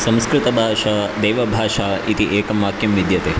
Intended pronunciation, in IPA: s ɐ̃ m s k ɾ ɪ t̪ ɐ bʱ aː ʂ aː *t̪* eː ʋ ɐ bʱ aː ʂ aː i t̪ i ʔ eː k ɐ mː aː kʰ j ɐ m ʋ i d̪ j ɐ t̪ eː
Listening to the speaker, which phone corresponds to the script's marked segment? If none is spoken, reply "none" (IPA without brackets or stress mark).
d̪